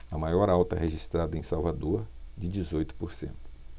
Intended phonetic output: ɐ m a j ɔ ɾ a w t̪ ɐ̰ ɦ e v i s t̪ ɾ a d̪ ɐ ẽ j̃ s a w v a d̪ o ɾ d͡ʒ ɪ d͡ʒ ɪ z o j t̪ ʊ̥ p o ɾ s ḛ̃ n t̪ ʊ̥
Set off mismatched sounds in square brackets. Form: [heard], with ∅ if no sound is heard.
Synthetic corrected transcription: ɐ m a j ɔ ɾ a w t̪ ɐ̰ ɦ e [ʒ] i s t̪ ɾ a d̪ ɐ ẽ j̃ s a w v a d̪ o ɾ d͡ʒ ɪ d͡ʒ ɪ z o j t̪ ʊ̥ p o ɾ s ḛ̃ n t̪ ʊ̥

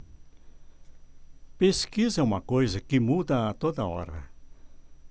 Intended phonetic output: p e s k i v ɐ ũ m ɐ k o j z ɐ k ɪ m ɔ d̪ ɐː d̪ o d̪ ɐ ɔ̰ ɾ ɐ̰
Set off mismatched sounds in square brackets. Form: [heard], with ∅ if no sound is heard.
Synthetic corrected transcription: p e s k i [z] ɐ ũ m ɐ k o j z ɐ k ɪ m [u] d̪ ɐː [t̪] o d̪ ɐ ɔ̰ ɾ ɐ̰

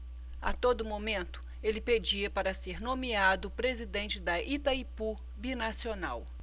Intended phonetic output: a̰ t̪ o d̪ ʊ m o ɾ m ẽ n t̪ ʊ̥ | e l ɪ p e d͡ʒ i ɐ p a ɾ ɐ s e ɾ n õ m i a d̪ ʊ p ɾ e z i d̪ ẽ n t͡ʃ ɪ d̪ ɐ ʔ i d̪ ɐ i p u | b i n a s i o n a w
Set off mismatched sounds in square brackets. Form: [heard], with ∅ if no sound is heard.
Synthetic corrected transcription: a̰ t̪ o d̪ ʊ m o [∅] m ẽ n t̪ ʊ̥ | e l ɪ p e d͡ʒ i ɐ p a ɾ ɐ s e ɾ n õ m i a d̪ ʊ p ɾ e z i d̪ ẽ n t͡ʃ ɪ d̪ ɐ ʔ i [t̪] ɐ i p u | b i n a s i o n a w

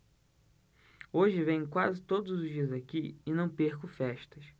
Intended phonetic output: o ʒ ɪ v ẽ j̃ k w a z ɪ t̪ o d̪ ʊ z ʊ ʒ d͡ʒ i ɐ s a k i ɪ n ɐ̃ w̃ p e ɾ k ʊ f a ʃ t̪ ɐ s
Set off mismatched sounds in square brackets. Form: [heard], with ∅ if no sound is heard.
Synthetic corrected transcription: o ʒ ɪ v ẽ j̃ k w a z ɪ t̪ o d̪ ʊ z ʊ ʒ d͡ʒ i ɐ [z] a k i ɪ n ɐ̃ w̃ p e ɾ k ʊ f [ɛ] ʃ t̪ ɐ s

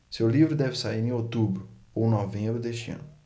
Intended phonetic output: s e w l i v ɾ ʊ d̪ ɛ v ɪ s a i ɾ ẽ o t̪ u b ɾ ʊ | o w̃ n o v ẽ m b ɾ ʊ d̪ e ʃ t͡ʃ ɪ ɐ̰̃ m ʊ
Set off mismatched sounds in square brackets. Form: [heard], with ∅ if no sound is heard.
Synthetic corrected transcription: s e w l i v ɾ ʊ d̪ ɛ v ɪ s a i ɾ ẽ o t̪ u b ɾ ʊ | o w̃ n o v ẽ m b ɾ ʊ d̪ e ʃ t͡ʃ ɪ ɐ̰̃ [n] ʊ

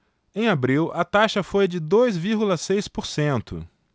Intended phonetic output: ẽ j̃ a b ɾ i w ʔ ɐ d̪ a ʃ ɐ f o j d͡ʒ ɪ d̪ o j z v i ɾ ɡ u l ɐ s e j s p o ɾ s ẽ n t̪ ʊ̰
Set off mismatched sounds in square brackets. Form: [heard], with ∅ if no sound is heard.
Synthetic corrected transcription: ẽ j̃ a b ɾ i w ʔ ɐ [t̪] a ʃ ɐ f o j d͡ʒ ɪ d̪ o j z v i ɾ ɡ u l ɐ s e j s p o ɾ s ẽ n t̪ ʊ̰

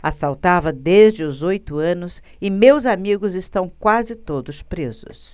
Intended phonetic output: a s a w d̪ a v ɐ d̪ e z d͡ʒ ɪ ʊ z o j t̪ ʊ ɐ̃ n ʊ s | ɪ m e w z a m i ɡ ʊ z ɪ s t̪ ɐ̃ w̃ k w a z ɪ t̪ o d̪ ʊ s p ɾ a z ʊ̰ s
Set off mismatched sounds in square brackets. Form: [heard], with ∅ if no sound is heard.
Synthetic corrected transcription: a s a w [t̪] a v ɐ d̪ e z d͡ʒ ɪ ʊ z o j t̪ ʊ ɐ̃ n ʊ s | ɪ m e w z a m i ɡ ʊ z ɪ s t̪ ɐ̃ w̃ k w a z ɪ t̪ o d̪ ʊ s p ɾ [e] z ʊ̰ s

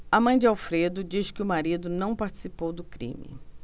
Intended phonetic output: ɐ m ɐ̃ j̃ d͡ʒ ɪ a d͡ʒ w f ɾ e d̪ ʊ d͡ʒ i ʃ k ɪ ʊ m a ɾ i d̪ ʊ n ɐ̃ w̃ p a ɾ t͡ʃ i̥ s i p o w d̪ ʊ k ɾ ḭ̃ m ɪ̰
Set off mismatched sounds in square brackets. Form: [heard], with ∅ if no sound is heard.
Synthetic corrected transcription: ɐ m ɐ̃ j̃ d͡ʒ ɪ a [∅] w f ɾ e d̪ ʊ d͡ʒ i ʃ k ɪ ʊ m a ɾ i d̪ ʊ n ɐ̃ w̃ p a ɾ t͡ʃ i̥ s i p o w d̪ ʊ k ɾ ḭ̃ m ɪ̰

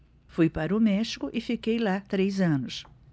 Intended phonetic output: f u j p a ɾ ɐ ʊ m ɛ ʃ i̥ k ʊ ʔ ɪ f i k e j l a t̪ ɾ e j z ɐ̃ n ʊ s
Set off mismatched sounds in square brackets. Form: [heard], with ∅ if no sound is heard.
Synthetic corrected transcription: f u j p a ɾ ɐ ʊ m ɛ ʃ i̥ k ʊ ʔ ɪ f i k e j l a t̪ ɾ e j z ɐ̃ n ʊ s

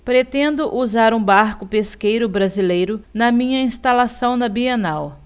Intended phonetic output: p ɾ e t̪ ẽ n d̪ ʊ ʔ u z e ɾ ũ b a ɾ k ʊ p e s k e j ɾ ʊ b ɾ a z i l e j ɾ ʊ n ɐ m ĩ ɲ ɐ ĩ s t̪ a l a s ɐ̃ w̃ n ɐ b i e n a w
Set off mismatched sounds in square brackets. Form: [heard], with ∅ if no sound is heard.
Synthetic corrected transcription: p ɾ e t̪ ẽ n d̪ ʊ ʔ u z [a] ɾ ũ b a ɾ k ʊ p e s k e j ɾ ʊ b ɾ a z i l e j ɾ ʊ n ɐ m ĩ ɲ ɐ ĩ s t̪ a l a s ɐ̃ w̃ n ɐ b i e n a w

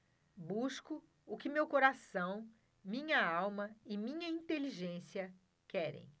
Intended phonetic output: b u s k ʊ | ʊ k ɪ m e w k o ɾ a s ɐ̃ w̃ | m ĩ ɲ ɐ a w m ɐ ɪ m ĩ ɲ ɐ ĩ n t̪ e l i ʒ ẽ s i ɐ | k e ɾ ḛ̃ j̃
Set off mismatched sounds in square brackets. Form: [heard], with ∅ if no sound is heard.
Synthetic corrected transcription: b u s k ʊ | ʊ k ɪ m e w k o ɾ a s ɐ̃ w̃ | m ĩ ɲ ɐ a w m ɐ ɪ m ĩ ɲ ɐ ĩ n t̪ e l i ʒ ẽ s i ɐ | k [ɛ] ɾ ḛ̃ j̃

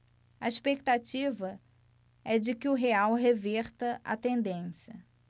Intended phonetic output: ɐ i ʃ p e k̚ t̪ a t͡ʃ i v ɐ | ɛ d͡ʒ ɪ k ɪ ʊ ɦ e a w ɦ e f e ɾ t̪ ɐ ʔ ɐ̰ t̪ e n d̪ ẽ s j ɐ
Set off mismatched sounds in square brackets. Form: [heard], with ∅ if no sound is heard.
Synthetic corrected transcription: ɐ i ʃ p e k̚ t̪ a t͡ʃ i v ɐ | ɛ d͡ʒ ɪ k ɪ ʊ ɦ e a w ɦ e [v] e ɾ t̪ ɐ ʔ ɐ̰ t̪ [ẽ] n d̪ ẽ s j ɐ

